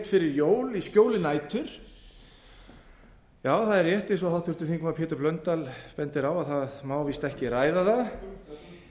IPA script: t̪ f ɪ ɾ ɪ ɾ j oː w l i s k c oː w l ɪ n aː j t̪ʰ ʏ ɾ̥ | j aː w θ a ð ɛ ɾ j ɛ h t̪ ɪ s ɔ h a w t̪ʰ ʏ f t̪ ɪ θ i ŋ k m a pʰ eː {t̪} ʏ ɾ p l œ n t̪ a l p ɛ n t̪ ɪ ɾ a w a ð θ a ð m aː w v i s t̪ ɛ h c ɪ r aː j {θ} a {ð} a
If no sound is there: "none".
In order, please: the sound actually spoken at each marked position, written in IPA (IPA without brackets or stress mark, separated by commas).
t̪, ð, ð